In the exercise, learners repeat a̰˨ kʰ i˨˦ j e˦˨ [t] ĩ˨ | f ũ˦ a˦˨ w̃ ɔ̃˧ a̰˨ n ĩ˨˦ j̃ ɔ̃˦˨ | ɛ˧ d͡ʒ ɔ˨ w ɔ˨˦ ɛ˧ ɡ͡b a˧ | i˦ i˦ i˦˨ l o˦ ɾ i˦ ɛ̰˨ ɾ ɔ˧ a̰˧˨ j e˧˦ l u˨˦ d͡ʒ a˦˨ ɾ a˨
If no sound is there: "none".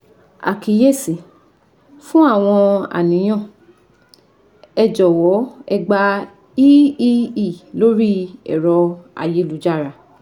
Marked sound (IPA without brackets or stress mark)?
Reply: s